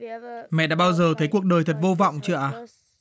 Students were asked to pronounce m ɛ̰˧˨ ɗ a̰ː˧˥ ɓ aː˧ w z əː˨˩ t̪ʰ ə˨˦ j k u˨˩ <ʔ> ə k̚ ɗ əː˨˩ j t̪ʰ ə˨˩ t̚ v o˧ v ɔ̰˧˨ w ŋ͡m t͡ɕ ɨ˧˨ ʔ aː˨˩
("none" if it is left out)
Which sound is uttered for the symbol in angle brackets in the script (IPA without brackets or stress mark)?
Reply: none